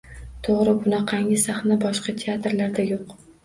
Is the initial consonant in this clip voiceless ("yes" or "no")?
yes